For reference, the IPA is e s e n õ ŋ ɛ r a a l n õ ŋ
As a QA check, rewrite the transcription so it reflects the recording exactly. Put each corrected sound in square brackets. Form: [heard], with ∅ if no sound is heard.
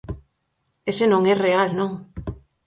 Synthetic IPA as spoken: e s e n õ ŋ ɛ r [e] a l n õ ŋ

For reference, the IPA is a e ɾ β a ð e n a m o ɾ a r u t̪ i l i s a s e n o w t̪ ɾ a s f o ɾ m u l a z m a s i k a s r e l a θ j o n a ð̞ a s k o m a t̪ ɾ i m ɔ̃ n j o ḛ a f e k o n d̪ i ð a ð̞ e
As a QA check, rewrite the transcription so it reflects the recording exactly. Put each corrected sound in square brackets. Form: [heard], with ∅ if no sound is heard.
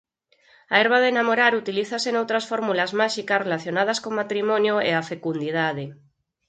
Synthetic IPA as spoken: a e ɾ β a ð e n a m o ɾ a [ɾ] u t̪ i l i [θ] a s e n o w t̪ ɾ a s f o ɾ m u l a z m a [ʃ] i k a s r e l a θ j o n a ð̞ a s k o m a t̪ ɾ i m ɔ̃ n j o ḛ a f e k [u] n d̪ i ð a ð̞ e

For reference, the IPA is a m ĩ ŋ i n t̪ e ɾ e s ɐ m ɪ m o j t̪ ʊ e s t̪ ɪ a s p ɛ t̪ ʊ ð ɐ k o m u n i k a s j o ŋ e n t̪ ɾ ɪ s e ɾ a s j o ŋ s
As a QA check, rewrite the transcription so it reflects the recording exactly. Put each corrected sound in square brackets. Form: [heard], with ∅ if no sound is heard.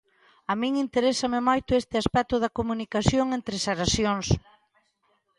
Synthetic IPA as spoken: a m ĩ ŋ i n t̪ e ɾ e s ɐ m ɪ m o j t̪ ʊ e s t̪ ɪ a s p ɛ t̪ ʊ ð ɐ k o m u n i k a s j o ŋ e n t̪ ɾ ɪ s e ɾ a s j o ŋ s

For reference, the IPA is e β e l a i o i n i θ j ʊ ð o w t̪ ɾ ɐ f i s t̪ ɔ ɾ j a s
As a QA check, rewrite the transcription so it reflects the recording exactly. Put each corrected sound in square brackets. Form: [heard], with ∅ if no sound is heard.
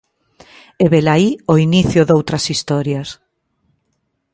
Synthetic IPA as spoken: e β e l a i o i n i θ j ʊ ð o w t̪ ɾ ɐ [s] i s t̪ ɔ ɾ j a s

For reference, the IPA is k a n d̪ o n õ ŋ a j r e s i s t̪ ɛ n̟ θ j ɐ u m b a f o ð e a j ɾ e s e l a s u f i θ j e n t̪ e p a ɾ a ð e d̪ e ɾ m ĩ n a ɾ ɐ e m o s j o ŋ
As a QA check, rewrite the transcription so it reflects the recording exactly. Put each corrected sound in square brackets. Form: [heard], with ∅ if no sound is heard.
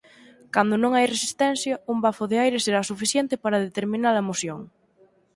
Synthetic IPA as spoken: k a n d̪ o n õ ŋ a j r e s i s t̪ ɛ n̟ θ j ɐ u m b a f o ð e a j ɾ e s e [ɾ] a s u f i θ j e n t̪ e p a ɾ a ð e [t̪] e ɾ m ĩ n a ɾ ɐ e m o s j o ŋ

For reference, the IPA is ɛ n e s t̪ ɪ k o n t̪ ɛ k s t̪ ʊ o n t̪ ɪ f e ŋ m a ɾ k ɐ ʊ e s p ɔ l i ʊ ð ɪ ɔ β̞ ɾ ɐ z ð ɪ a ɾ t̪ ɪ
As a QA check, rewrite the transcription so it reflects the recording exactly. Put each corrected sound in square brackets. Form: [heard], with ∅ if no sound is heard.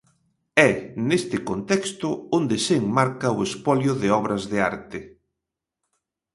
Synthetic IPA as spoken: ɛ n e s t̪ ɪ k o n t̪ ɛ k s t̪ ʊ o n [d̪] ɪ [s] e ŋ m a ɾ k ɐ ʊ e s p ɔ l [j] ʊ ð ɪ ɔ β̞ ɾ ɐ z ð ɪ a ɾ t̪ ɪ

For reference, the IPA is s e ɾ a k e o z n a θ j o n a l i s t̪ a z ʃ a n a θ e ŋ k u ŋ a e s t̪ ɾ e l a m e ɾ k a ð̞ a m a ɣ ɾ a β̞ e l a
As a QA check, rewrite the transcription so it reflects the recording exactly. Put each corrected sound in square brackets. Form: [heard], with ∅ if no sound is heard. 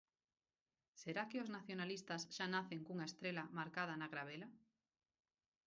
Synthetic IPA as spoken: s e ɾ a k e o z n a θ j o n a l i s t̪ a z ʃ a n a θ e ŋ k u ŋ a e s t̪ ɾ e l a m [a] ɾ k a ð̞ a [n] a ɣ ɾ a β̞ e l a

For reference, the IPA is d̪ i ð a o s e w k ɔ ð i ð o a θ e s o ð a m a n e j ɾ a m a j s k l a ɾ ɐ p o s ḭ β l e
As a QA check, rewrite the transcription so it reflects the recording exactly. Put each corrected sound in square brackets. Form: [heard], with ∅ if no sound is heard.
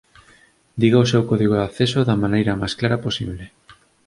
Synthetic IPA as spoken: d̪ i [ɣ] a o s e w k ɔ ð i [ɣ] o a θ e s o ð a m a n e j ɾ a m a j s k l a ɾ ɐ p o s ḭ β l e

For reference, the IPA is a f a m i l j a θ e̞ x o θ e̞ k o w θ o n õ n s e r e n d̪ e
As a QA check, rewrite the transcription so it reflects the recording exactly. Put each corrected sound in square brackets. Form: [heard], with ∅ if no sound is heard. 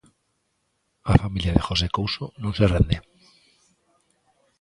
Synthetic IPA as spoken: a f a m i l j a [ð] e̞ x o [s] e̞ k o w [s] o n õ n s e r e n d̪ e

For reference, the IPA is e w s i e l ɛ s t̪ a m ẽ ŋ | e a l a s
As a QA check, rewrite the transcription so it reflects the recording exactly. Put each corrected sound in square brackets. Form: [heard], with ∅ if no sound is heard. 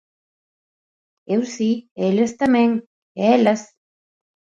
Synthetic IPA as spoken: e w s i e l [e] s t̪ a m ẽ ŋ | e [e] l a s

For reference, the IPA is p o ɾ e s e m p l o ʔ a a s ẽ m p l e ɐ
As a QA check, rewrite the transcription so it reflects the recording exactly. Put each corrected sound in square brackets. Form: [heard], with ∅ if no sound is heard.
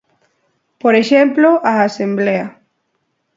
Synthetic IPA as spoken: p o ɾ e [ʃ] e m p l o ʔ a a s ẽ m [b] l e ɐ

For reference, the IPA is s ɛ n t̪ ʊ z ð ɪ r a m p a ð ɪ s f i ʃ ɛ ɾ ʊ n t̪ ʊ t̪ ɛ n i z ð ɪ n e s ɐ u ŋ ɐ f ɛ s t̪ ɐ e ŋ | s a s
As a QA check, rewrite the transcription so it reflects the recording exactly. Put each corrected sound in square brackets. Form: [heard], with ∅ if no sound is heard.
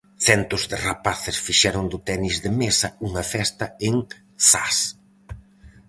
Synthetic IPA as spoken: [θ] ɛ n t̪ ʊ z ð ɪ r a [∅] p a [θ] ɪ s f i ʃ ɛ ɾ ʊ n [d̪] ʊ t̪ ɛ n i z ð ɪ [m] e s ɐ u ŋ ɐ f ɛ s t̪ ɐ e ŋ | s a s

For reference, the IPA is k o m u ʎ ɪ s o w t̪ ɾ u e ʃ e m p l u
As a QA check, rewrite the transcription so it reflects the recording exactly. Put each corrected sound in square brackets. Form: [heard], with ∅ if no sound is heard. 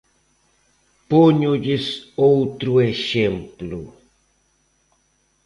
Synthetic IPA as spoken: [p] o [ɲ] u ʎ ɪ s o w t̪ ɾ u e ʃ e m p l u

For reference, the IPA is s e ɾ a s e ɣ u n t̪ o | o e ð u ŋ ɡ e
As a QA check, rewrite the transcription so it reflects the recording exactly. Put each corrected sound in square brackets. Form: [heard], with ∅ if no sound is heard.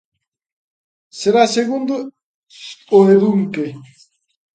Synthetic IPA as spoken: s e ɾ a s e ɣ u n [d̪] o | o e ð u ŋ [k] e

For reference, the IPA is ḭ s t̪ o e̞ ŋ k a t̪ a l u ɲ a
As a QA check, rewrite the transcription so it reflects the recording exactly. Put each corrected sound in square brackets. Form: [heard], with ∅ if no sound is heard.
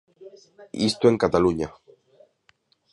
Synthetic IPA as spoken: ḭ s t̪ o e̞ ŋ k a t̪ a l u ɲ a

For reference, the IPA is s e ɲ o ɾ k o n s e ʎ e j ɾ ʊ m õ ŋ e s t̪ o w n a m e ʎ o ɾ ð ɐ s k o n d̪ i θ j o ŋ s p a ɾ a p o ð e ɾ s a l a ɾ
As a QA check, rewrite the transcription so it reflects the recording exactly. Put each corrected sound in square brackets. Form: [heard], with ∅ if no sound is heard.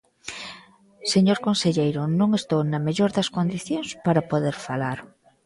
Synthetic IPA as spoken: s e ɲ o ɾ k o n s e ʎ e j ɾ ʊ [n] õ ŋ e s t̪ o w n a m e ʎ o ɾ ð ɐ s k o n d̪ i θ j o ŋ s p a ɾ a p o ð e ɾ [f] a l a ɾ

